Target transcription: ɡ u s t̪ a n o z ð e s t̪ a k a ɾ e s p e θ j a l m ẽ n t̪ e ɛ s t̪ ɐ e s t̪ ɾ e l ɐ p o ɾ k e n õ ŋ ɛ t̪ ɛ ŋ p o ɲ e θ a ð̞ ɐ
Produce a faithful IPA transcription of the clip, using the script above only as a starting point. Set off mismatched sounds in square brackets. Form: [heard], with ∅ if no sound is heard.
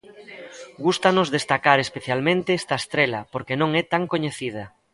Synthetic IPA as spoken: ɡ u s t̪ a n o z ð e s t̪ a k a ɾ e s p e θ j a l m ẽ n t̪ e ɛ s t̪ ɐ e s t̪ ɾ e l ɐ p o ɾ k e n õ ŋ ɛ t̪ [a] ŋ [k] o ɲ e θ [i] ð̞ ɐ